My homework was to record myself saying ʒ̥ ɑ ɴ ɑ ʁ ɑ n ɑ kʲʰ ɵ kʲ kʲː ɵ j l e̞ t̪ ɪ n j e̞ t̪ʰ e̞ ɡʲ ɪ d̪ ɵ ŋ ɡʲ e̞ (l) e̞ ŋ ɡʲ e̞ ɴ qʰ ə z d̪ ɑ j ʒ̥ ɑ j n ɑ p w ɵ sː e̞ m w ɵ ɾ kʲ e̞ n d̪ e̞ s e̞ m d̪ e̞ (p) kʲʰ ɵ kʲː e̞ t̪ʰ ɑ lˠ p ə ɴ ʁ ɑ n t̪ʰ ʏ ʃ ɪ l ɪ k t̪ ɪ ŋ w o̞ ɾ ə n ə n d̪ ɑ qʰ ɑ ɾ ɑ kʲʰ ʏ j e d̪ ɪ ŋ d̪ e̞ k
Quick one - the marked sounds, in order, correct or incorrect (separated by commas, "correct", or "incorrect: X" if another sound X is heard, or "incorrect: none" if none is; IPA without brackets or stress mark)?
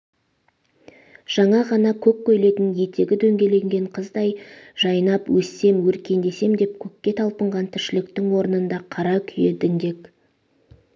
correct, correct